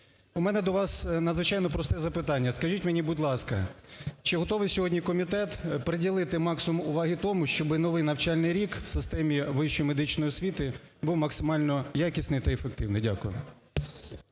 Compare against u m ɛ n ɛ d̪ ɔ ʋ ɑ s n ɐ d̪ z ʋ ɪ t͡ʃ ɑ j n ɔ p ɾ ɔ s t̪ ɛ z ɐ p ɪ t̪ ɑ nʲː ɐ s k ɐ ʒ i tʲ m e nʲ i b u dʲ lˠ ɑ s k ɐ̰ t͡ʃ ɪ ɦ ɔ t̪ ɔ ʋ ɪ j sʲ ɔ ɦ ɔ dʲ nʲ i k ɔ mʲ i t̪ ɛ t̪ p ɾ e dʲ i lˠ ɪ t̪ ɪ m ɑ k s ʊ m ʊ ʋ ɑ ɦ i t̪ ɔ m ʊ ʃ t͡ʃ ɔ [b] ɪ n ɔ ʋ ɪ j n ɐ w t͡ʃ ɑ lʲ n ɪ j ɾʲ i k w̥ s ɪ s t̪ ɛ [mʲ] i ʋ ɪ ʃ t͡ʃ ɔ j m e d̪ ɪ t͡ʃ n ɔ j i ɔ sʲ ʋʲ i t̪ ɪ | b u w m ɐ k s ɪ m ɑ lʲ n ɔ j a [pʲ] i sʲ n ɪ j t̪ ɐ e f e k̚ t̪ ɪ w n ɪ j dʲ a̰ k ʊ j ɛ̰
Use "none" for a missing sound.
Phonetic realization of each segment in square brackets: b, mʲ, kʲ

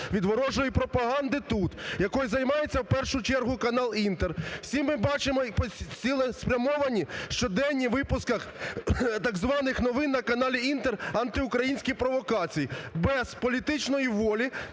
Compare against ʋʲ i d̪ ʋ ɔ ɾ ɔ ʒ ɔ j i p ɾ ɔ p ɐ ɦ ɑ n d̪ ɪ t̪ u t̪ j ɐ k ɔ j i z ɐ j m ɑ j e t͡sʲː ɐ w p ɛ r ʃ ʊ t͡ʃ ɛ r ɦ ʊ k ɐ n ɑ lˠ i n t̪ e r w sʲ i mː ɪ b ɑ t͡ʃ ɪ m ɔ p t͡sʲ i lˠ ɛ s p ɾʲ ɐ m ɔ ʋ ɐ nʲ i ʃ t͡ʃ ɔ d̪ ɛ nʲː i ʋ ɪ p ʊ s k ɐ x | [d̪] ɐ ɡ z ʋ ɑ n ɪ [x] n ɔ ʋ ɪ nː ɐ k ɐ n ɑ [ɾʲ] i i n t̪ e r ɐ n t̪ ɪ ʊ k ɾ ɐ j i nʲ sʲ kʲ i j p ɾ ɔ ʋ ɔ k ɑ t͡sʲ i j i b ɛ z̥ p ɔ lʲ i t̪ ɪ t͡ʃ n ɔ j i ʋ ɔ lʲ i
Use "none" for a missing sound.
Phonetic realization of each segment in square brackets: t̪, x, lʲ

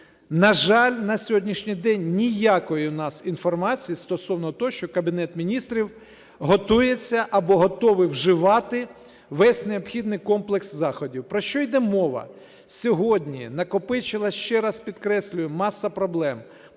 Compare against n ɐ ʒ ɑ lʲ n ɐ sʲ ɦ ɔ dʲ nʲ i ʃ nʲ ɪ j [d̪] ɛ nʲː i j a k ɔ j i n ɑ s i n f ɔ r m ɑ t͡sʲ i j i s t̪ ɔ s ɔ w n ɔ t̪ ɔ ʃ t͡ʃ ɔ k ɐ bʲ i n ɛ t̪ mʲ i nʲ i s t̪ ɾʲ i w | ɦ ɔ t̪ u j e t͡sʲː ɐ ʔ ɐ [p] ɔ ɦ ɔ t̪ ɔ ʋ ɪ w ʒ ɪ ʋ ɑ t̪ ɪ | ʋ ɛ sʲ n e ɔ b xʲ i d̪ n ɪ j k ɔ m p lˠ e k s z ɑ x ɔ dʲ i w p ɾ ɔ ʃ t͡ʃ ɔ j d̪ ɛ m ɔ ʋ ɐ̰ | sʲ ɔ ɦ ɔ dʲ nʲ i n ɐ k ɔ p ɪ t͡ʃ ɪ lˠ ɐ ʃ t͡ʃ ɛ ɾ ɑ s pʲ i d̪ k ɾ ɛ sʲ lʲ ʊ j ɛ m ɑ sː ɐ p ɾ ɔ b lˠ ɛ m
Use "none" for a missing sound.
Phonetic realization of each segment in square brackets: d̪, b

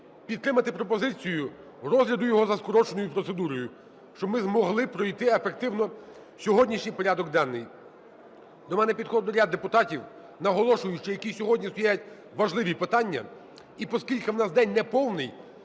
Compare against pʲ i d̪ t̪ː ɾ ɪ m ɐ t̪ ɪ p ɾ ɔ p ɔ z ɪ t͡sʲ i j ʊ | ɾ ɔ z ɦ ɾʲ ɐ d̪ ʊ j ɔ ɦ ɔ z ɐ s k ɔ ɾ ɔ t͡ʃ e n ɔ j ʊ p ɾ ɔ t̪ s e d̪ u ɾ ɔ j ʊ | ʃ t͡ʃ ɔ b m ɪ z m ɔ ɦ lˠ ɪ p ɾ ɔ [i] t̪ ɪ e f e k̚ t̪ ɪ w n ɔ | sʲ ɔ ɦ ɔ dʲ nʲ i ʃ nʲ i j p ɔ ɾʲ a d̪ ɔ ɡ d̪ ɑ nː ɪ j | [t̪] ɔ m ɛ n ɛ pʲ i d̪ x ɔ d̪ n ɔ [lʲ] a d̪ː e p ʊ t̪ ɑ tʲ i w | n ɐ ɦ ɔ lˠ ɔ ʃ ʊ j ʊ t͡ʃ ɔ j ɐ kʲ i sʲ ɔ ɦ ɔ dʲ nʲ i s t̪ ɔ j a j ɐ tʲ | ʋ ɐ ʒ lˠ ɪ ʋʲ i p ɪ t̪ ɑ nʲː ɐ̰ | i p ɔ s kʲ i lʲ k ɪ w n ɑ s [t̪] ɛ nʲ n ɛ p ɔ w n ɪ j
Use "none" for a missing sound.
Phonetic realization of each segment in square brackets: j, d̪, ɾʲ, d̪

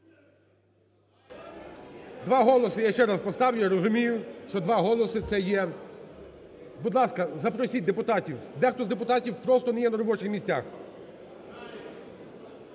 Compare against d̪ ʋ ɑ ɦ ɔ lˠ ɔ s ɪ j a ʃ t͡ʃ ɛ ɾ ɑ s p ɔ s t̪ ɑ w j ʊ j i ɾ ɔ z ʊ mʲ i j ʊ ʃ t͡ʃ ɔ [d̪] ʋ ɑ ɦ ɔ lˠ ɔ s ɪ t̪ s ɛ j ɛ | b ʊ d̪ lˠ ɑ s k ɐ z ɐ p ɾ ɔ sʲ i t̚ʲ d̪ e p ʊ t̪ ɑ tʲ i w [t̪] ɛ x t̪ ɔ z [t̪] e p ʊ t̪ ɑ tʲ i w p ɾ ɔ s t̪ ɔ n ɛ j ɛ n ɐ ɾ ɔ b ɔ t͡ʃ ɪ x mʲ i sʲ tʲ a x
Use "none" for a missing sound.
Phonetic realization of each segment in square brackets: d̪, d̪, d̪

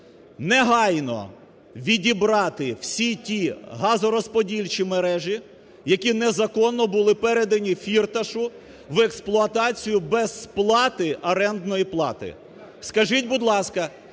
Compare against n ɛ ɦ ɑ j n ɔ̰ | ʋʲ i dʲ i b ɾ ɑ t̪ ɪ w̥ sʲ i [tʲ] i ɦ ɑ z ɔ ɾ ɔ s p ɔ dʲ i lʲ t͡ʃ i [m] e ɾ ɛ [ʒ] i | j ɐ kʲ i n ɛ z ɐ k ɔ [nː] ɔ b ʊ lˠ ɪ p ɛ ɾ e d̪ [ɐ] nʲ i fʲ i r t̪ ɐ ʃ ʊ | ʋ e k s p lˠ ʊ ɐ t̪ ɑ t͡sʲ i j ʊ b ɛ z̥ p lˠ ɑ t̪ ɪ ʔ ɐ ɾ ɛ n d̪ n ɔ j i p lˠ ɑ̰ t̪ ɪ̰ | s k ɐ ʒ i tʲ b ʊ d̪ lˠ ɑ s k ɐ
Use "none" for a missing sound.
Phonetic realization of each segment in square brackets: tʲ, m, ʒ, nː, ɐ

